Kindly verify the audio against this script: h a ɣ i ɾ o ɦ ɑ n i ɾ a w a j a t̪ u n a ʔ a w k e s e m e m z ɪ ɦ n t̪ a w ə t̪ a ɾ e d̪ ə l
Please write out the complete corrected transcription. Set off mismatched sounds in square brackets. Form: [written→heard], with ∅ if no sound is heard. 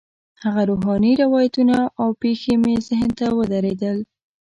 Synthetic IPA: h a ɣ [i→a] ɾ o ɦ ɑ n i ɾ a w [a→ɑ] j a t̪ u n a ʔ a w [k→p] e [s→x] e m e [m→∅] z ɪ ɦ n t̪ a w ə [t̪→d̪] a ɾ e d̪ ə l